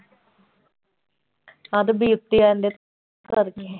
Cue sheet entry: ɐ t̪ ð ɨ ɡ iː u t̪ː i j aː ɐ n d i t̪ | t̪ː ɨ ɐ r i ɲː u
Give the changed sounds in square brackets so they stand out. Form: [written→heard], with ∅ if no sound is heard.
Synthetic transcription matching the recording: ɐ [t̪→∅] ð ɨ [ɡ→b] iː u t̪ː i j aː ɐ n d [i→e] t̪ | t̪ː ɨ ɐ r i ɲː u

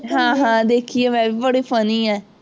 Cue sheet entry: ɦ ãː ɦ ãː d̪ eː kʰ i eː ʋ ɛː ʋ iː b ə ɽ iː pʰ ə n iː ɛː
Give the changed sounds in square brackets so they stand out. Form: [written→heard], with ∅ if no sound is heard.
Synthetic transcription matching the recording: ɦ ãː ɦ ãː d̪ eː kʰ i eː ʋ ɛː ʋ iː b ə ɽ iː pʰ ə n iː ɛː

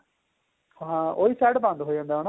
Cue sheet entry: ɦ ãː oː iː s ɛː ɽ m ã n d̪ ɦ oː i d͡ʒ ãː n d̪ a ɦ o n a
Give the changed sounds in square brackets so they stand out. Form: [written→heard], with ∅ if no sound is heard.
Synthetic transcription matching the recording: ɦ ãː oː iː s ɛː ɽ [m→b] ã n d̪ ɦ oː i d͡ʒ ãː n d̪ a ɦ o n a

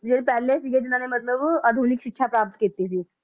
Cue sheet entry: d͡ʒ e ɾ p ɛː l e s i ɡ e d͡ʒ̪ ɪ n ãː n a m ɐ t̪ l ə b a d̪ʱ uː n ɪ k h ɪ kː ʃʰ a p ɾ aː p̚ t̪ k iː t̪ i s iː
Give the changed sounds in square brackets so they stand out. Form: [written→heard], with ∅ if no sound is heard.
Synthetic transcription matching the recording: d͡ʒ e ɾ p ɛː l e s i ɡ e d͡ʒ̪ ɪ n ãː n [a→e] m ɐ t̪ l ə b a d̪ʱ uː n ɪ k [h→ʃ] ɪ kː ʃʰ a p ɾ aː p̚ t̪ k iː t̪ i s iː

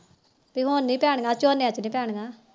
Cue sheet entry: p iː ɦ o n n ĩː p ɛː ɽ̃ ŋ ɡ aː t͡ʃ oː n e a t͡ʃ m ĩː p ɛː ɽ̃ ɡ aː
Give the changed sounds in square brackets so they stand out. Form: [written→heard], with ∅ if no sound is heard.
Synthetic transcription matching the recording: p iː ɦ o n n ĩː p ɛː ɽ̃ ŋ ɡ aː t͡ʃ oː n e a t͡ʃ [m→n] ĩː p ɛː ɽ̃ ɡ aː

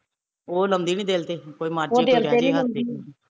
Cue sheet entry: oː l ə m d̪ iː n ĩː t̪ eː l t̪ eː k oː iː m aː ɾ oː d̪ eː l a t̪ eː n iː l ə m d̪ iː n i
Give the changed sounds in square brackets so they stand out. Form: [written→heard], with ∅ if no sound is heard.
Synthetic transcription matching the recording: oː l ə m d̪ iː n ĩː [t̪→d̪] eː l t̪ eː k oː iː m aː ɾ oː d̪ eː l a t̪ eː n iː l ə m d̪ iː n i

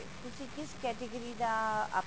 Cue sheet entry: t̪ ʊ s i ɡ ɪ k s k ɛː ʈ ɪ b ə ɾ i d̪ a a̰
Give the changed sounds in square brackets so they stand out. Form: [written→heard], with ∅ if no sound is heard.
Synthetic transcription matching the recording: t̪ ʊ s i [ɡ→k] ɪ [k→∅] s k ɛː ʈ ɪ [b→ɡ] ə ɾ i d̪ a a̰

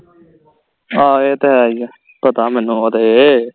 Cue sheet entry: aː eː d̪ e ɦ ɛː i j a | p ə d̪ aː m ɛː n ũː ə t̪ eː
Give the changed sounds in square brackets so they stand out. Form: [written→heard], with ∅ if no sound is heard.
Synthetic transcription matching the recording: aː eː [d̪→t̪] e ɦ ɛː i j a | p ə [d̪→t̪] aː m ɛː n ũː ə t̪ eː

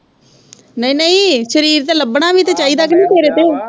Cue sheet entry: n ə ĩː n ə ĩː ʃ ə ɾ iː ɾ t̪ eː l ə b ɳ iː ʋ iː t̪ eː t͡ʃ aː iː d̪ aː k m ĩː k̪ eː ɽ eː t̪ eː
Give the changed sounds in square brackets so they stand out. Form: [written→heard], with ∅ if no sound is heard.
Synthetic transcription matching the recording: n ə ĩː n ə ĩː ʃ ə ɾ iː ɾ t̪ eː l ə b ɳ [iː→aː] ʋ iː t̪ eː t͡ʃ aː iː d̪ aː k [m→n] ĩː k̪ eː [ɽ→ɾ] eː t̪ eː

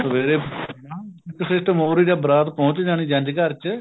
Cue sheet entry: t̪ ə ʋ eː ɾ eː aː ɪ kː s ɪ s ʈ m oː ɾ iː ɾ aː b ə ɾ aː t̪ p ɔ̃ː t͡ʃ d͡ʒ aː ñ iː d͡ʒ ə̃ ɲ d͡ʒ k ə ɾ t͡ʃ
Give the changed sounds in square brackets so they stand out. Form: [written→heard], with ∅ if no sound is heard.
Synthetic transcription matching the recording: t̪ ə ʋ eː ɾ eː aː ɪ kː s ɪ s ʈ m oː ɾ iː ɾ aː b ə ɾ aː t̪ p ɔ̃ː t͡ʃ d͡ʒ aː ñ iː d͡ʒ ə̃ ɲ d͡ʒ k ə ɾ t͡ʃ

